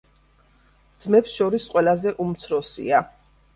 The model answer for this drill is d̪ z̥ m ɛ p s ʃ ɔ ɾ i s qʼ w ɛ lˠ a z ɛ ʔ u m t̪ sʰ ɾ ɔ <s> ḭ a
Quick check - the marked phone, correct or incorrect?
correct